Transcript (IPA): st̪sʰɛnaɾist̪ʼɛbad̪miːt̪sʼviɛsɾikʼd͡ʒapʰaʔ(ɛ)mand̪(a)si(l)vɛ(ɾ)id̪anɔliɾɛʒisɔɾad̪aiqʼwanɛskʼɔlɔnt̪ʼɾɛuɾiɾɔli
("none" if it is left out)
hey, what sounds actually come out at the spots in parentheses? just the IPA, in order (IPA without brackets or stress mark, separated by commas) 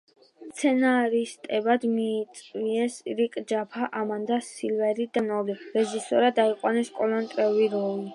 a, a, l, ɾ